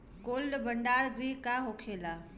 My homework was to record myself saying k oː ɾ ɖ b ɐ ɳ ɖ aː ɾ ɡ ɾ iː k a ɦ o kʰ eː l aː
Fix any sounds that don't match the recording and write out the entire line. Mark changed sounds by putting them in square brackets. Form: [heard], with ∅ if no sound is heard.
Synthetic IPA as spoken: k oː [l] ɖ b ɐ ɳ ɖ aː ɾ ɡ ɾ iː k a ɦ o kʰ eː l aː